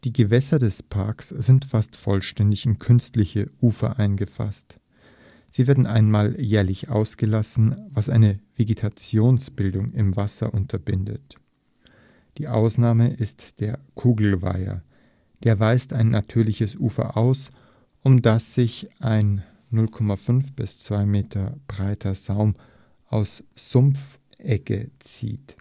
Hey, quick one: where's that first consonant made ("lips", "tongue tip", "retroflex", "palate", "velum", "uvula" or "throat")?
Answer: tongue tip